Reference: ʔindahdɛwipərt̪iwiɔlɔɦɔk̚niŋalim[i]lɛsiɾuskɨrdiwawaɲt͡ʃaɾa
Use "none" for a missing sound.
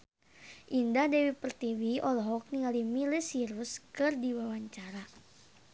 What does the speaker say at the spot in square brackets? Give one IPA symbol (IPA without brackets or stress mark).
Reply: i